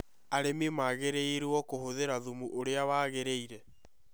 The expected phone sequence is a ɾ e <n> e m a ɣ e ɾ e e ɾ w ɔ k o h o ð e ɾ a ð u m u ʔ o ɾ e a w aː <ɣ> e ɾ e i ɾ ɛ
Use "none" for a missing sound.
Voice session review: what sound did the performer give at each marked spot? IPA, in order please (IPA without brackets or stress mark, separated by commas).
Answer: m, ɣ